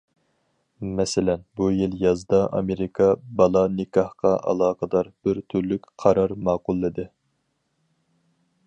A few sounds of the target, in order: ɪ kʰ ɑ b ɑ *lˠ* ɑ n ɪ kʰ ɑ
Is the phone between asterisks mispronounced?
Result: no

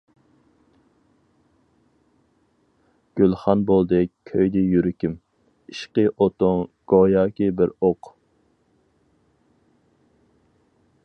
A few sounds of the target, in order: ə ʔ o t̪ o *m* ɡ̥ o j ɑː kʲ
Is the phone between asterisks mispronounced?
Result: yes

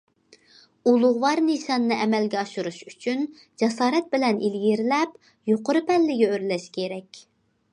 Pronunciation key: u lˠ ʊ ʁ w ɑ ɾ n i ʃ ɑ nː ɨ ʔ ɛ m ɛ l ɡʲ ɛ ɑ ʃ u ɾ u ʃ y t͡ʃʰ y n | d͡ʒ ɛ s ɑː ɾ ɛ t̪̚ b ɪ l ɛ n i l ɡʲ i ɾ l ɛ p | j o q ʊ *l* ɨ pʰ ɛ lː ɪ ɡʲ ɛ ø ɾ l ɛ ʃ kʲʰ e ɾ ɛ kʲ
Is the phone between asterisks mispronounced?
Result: yes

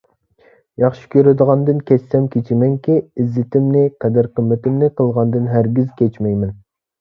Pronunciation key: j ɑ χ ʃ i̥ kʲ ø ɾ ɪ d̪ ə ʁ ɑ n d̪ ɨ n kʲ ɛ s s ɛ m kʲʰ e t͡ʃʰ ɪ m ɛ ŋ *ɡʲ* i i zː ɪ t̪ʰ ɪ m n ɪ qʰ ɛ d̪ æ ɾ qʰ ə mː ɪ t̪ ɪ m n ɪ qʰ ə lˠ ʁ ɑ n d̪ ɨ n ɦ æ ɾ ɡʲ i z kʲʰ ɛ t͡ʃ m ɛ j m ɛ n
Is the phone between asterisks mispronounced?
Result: yes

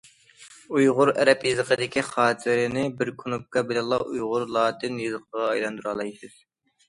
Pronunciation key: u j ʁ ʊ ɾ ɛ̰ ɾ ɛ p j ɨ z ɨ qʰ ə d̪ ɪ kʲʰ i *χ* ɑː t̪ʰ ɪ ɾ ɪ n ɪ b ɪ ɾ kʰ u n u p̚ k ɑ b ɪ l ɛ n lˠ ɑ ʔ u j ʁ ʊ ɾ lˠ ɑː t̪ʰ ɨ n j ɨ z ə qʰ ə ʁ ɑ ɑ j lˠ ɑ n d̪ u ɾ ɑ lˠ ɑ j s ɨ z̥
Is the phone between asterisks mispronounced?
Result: no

